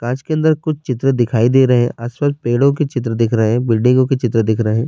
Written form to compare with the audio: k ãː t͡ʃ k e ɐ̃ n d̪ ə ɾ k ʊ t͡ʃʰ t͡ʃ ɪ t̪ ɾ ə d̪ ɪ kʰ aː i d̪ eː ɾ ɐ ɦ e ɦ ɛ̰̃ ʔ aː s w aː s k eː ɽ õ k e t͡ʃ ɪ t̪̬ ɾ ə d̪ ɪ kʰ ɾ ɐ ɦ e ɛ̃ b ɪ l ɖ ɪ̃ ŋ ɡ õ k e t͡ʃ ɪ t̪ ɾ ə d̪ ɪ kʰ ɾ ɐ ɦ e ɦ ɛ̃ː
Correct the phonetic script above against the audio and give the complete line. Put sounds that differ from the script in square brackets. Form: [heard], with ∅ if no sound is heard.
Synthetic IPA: k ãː t͡ʃ k e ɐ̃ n d̪ ə ɾ k ʊ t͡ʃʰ t͡ʃ ɪ t̪ ɾ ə d̪ ɪ kʰ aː i d̪ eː ɾ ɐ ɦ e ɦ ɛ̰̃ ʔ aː s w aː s [p] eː ɽ õ k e t͡ʃ ɪ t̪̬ ɾ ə d̪ ɪ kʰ ɾ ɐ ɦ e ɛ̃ b ɪ l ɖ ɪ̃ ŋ ɡ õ k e t͡ʃ ɪ t̪ ɾ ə d̪ ɪ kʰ ɾ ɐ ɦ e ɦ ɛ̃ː